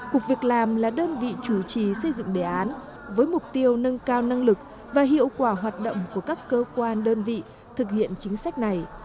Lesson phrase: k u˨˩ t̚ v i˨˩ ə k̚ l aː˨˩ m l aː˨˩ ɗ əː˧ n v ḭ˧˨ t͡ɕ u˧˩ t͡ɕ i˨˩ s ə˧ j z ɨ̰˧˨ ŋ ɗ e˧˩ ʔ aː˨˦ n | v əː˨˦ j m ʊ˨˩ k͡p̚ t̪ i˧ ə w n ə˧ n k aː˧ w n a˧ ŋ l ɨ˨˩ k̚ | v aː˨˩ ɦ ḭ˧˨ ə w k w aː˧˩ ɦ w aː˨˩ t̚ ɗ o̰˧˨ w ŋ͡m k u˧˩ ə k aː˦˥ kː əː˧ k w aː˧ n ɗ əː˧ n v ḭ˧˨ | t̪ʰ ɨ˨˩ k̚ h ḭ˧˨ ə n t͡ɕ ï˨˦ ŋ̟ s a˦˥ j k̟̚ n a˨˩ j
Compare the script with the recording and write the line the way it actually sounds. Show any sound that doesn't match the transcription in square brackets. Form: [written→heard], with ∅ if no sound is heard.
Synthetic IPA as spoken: k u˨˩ [t̚→k̚] v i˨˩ ə k̚ l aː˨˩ m l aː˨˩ ɗ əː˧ n v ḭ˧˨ t͡ɕ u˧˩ t͡ɕ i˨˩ s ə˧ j z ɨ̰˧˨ ŋ ɗ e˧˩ ʔ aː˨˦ n | v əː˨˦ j m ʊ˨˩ k͡p̚ t̪ i˧ ə w n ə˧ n k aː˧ w n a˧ ŋ l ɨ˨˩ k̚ | v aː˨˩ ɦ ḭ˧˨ ə w k w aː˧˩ ɦ w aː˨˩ t̚ ɗ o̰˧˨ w ŋ͡m k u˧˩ ə k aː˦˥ kː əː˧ k w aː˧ n ɗ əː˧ n v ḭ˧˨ | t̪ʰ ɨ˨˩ k̚ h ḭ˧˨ ə n t͡ɕ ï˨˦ ŋ̟ s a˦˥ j k̟̚ n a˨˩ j

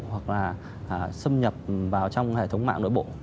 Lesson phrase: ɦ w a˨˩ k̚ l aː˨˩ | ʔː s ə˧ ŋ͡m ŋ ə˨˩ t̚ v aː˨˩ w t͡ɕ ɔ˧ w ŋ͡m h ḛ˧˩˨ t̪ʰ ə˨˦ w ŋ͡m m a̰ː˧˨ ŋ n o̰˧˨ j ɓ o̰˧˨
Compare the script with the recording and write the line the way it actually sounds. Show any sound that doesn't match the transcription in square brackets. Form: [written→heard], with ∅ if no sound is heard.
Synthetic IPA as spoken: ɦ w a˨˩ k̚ l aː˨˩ | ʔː s ə˧ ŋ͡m [ŋ→ɲ] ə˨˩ [t̚→p̚] v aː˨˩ w t͡ɕ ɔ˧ w ŋ͡m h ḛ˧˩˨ t̪ʰ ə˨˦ w ŋ͡m m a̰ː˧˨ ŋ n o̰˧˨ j ɓ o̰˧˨

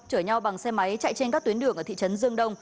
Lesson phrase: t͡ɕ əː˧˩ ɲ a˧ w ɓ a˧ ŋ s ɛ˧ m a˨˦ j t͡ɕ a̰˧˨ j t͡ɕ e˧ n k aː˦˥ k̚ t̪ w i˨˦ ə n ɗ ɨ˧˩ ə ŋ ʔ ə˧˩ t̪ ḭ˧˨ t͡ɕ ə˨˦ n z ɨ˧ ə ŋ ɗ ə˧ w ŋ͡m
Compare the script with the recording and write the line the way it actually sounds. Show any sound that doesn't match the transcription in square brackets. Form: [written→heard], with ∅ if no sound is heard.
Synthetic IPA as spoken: t͡ɕ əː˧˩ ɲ a˧ w ɓ [a˧→a˨˩] ŋ s ɛ˧ m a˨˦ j t͡ɕ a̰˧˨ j t͡ɕ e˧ n k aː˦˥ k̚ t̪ w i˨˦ ə n ɗ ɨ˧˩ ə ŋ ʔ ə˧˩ t̪ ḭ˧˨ t͡ɕ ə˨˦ n z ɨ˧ ə ŋ ɗ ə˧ w ŋ͡m

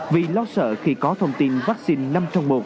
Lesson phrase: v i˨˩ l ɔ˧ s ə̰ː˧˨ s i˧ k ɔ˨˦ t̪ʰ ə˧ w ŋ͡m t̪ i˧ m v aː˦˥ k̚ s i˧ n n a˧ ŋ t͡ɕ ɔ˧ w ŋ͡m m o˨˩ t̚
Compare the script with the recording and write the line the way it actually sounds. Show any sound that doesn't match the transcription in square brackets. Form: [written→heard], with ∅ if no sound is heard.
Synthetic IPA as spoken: v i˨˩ l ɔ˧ s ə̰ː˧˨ [s→x] i˧ k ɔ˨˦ t̪ʰ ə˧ w ŋ͡m t̪ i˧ [m→n] v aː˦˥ k̚ s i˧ n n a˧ [ŋ→m] t͡ɕ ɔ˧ w ŋ͡m m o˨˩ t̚

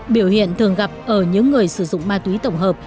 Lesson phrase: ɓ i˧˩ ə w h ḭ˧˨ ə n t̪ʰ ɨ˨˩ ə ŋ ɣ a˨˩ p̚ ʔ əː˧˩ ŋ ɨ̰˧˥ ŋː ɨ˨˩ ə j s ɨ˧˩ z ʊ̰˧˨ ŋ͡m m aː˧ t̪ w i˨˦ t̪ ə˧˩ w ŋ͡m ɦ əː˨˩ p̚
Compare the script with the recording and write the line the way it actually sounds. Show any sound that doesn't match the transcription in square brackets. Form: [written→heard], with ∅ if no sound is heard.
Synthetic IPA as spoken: ɓ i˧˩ ə w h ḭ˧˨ ə n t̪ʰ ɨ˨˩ ə ŋ ɣ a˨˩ p̚ ʔ əː˧˩ [ŋ→ɲ] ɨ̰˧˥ ŋː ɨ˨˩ ə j s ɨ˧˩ z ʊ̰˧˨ ŋ͡m m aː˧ t̪ w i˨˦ t̪ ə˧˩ w ŋ͡m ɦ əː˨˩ p̚

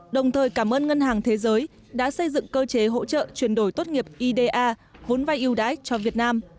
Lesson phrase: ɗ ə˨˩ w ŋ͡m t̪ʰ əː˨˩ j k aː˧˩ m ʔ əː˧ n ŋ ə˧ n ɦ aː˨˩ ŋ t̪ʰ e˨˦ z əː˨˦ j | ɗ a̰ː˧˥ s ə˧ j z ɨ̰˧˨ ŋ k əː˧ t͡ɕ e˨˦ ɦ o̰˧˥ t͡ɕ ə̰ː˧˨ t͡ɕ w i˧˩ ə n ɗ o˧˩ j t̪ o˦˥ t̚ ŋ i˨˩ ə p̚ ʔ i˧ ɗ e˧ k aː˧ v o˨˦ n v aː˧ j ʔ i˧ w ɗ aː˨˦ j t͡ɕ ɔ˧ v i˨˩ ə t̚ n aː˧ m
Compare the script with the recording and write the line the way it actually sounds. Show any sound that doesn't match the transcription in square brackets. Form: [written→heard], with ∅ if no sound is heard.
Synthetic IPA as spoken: ɗ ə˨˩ w ŋ͡m t̪ʰ əː˨˩ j k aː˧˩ m ʔ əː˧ n ŋ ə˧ n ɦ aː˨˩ ŋ t̪ʰ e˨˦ z əː˨˦ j | ɗ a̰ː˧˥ s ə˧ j z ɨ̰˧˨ ŋ k əː˧ t͡ɕ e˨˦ ɦ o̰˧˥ t͡ɕ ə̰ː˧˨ t͡ɕ w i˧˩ ə n ɗ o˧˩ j t̪ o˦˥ t̚ ŋ i˨˩ ə p̚ ʔ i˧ ɗ e˧ [k→ʔ] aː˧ v o˨˦ n v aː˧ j ʔ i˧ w ɗ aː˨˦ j t͡ɕ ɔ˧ v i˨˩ ə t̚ n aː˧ m

